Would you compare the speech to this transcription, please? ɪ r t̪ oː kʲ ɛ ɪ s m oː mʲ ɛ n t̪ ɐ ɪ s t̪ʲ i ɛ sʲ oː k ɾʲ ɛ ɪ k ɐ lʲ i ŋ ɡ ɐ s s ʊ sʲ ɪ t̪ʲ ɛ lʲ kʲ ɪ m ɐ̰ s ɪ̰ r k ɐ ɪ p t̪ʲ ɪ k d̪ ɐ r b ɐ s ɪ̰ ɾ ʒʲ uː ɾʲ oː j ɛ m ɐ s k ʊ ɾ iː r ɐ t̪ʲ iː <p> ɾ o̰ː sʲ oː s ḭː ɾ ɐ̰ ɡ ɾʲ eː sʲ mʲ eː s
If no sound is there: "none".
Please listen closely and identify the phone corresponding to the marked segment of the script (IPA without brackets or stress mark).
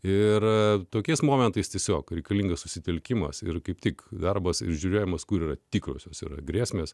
k